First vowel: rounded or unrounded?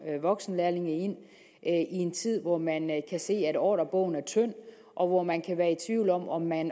rounded